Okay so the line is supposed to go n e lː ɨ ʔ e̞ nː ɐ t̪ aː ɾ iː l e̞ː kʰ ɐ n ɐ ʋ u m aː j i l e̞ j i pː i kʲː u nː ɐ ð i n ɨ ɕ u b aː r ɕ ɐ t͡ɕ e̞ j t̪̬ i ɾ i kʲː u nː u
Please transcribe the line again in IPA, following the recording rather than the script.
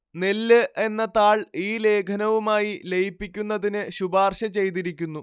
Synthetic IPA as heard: n e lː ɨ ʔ e̞ nː ɐ t̪ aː ɭ iː l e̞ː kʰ ɐ n ɐ ʋ u m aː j i l e̞ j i pː i kʲː u nː ɐ ð i n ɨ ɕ u b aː r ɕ ɐ t͡ɕ e̞ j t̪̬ i ɾ i kʲː u nː u

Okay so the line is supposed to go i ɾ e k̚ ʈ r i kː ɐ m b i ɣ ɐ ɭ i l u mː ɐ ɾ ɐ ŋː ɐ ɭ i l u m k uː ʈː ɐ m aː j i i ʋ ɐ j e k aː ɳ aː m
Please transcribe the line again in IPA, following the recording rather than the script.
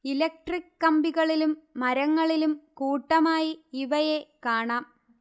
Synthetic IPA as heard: i l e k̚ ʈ r i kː ɐ m b i ɣ ɐ ɭ i l u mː ɐ ɾ ɐ ŋː ɐ ɭ i l u m k uː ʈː ɐ m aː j i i ʋ ɐ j e k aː ɳ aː m

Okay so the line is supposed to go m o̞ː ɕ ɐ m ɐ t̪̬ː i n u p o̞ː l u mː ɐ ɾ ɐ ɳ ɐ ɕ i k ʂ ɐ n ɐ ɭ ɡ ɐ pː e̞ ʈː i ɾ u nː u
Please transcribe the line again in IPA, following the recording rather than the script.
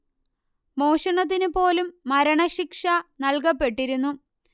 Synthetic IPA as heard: m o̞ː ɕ ɐ ɳ ɐ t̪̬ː i n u p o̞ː l u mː ɐ ɾ ɐ ɳ ɐ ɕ i k ʂ ɐ n ɐ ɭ k ɐ pː e̞ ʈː i ɾ u nː u

